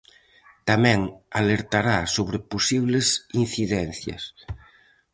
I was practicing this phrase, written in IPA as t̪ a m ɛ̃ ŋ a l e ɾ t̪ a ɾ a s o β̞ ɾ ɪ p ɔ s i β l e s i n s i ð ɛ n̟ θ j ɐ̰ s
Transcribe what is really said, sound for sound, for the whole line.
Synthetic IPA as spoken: t̪ a m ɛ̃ ŋ a l e ɾ t̪ a ɾ a s o β̞ ɾ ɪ p o s i β l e s i n θ i ð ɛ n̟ θ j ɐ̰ s